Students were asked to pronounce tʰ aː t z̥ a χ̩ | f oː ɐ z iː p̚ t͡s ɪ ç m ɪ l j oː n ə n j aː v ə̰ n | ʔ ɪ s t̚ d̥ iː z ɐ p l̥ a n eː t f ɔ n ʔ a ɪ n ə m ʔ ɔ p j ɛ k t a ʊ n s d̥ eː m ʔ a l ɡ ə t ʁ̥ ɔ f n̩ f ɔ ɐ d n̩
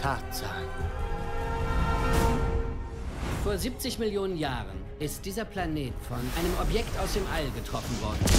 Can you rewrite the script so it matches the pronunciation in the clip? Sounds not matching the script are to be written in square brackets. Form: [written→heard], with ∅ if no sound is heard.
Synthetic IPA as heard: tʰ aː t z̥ a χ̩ | f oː ɐ z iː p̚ t͡s ɪ ç m ɪ l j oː n ə n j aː [v→ʁ] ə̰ n | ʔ ɪ s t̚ d̥ iː z ɐ p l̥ a n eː t f ɔ n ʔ a ɪ n ə m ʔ ɔ p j ɛ k t a ʊ [n→∅] s d̥ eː m ʔ a l ɡ ə t ʁ̥ ɔ f n̩ [f→v] ɔ ɐ d n̩